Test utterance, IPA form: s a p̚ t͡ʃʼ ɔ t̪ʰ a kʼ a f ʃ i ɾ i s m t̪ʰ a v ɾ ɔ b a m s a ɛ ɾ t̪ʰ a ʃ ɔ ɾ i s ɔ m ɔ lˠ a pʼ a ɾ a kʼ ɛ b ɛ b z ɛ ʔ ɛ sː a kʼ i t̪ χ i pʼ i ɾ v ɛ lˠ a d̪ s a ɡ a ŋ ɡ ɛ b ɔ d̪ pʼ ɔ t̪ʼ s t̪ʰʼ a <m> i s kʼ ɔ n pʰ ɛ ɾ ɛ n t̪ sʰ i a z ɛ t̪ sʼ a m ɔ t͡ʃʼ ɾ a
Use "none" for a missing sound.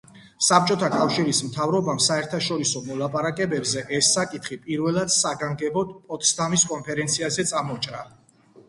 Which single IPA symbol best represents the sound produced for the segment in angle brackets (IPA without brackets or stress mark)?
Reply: m